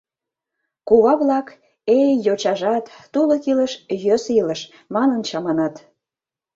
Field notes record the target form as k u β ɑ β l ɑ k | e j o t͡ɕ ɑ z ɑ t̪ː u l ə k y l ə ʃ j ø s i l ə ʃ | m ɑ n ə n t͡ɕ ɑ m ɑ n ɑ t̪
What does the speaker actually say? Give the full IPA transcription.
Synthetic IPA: k u β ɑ β l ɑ k | e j o t͡ɕ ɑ ʒ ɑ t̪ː u l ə k i l ə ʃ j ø s i l ə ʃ | m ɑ n ə n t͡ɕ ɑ m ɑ n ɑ t̪